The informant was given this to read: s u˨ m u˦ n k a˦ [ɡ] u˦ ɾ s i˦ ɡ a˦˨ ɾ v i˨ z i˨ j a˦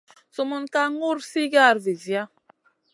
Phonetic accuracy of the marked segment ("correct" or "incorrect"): incorrect